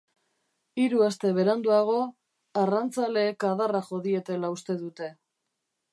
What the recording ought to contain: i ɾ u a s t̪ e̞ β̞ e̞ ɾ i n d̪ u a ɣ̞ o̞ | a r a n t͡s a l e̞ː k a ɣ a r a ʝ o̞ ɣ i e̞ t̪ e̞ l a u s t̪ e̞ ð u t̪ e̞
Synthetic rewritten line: i ɾ u a s t̪ e̞ β̞ e̞ ɾ a n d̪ u a ɣ̞ o̞ | a r a n t͡s a l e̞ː k a ð a r a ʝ o̞ ð i e̞ t̪ e̞ l a u s t̪ e̞ ð u t̪ e̞